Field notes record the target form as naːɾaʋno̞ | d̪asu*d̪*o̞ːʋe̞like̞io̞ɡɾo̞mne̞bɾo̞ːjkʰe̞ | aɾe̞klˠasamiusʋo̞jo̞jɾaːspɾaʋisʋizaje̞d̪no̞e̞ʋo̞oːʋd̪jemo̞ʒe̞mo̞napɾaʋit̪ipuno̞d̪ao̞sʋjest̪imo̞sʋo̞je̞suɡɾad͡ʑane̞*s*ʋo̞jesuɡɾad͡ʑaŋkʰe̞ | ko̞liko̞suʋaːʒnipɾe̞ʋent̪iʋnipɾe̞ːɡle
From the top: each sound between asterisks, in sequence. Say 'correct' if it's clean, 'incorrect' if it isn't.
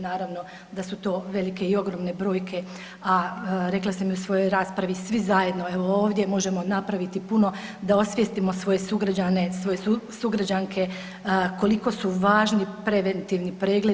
incorrect, correct

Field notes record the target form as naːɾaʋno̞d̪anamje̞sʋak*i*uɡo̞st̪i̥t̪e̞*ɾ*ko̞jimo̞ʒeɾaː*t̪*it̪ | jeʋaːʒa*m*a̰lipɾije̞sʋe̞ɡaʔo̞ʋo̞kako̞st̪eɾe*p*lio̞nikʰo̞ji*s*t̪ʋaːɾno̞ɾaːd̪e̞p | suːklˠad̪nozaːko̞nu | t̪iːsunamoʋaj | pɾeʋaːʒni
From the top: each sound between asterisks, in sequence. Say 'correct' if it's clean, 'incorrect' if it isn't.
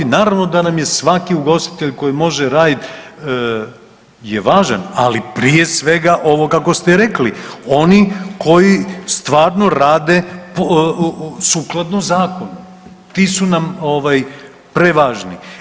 correct, incorrect, incorrect, incorrect, incorrect, correct

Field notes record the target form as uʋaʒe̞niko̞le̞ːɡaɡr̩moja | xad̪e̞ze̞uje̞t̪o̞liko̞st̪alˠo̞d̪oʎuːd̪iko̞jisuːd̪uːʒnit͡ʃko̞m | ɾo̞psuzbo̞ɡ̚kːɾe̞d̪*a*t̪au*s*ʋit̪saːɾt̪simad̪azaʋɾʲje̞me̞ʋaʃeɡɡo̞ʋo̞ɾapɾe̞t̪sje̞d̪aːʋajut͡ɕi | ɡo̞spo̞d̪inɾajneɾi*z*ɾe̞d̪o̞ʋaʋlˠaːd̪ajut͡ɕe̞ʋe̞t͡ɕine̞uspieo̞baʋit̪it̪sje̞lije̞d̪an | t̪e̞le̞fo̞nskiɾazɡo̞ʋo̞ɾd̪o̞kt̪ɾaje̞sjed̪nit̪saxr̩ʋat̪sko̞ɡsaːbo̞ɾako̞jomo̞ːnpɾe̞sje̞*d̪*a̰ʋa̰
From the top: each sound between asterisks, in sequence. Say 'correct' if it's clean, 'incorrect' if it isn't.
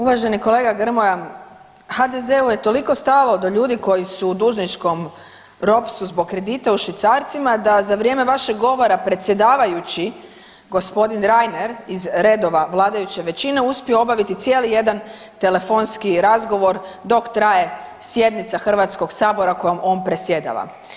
incorrect, incorrect, correct, correct

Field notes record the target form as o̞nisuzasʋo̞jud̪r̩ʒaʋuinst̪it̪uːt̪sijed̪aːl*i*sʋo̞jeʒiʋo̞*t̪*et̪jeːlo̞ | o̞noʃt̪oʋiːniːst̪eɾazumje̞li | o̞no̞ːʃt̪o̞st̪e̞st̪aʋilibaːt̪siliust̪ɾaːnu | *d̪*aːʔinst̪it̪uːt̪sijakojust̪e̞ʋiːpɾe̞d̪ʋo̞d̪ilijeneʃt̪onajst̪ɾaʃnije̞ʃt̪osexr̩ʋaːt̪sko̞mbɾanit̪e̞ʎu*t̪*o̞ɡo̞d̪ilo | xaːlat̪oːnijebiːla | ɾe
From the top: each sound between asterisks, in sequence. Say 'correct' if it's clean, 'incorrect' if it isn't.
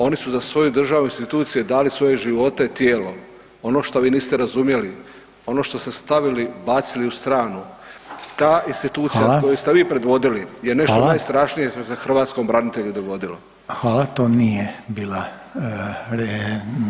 correct, correct, incorrect, incorrect

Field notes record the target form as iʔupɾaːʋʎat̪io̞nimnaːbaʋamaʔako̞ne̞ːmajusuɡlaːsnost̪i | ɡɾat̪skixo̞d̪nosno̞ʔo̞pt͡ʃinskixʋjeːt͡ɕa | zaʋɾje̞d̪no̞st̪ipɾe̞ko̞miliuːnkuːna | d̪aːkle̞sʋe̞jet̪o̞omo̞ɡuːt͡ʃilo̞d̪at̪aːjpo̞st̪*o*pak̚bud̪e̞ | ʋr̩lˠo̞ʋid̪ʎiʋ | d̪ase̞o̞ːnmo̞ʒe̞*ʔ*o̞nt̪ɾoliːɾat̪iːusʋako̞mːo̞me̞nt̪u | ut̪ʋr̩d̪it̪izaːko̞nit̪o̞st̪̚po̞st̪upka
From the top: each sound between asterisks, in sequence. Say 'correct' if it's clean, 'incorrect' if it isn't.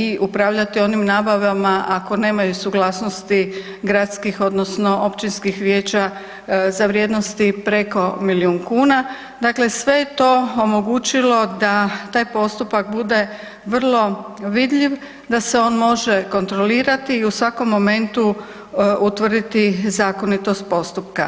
incorrect, incorrect

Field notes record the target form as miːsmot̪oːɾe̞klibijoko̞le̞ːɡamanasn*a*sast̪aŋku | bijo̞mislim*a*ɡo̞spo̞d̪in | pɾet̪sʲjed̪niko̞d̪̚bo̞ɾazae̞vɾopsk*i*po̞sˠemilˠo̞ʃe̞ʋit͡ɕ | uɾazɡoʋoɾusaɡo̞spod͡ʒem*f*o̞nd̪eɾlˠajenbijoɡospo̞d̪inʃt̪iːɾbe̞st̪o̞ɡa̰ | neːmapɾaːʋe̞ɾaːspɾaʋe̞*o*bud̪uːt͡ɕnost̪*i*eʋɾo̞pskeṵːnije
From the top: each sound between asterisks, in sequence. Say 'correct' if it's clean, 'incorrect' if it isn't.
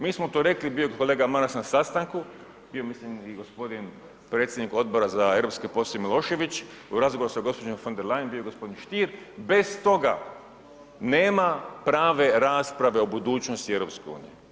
correct, incorrect, incorrect, correct, correct, correct

